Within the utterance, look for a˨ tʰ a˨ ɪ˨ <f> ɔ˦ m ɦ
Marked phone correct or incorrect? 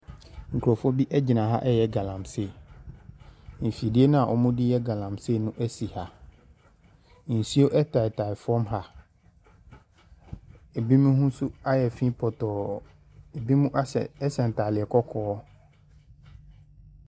correct